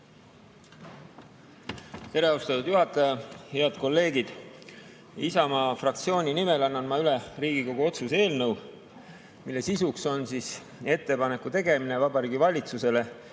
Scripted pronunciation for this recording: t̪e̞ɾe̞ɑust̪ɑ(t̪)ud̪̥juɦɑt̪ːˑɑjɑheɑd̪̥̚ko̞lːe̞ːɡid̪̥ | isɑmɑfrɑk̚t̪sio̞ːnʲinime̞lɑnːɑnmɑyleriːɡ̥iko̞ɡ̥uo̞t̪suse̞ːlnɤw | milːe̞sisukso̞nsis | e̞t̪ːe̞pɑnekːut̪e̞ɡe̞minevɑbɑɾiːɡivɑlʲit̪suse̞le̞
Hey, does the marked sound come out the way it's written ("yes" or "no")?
yes